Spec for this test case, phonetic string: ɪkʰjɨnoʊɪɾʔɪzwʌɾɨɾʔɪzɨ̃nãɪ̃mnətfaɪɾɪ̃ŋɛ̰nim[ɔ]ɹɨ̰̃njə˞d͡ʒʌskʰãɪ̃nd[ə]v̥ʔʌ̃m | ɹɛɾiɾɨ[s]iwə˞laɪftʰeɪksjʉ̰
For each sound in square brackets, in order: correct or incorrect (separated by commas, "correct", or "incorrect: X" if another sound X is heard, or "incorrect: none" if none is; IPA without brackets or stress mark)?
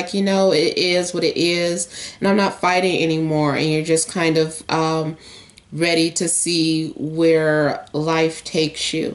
correct, incorrect: ʌ, correct